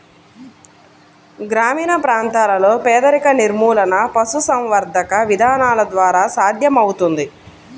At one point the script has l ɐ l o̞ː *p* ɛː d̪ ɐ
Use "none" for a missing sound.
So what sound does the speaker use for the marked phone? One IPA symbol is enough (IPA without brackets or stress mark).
p